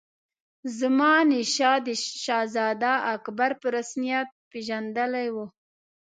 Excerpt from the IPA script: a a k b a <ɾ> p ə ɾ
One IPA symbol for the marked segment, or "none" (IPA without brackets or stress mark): ɾ